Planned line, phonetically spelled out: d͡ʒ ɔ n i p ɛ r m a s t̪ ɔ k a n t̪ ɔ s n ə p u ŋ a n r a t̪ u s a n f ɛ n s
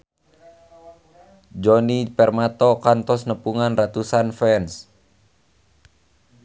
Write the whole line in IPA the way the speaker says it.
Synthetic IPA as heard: d͡ʒ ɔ n i p ɛ r m a t̪ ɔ k a n t̪ ɔ s n ə p u ŋ a n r a t̪ u s a n f ɛ n s